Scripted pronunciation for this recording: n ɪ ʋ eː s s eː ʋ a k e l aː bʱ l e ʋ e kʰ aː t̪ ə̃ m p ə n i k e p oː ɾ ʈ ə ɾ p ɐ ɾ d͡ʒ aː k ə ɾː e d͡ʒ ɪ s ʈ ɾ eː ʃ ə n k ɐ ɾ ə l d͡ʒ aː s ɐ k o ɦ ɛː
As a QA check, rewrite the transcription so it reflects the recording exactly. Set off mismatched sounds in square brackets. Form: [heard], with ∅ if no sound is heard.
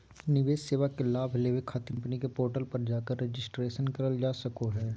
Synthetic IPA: n ɪ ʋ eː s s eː ʋ a k e l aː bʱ l e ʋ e kʰ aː t̪ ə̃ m p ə n i k e p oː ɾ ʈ ə [l] p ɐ ɾ d͡ʒ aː k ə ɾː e d͡ʒ ɪ s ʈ ɾ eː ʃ ə n k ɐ ɾ ə l d͡ʒ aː s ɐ k o ɦ ɛː